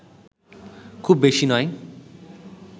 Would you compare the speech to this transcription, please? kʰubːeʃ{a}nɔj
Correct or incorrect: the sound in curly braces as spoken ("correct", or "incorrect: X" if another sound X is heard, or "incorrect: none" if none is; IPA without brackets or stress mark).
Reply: incorrect: i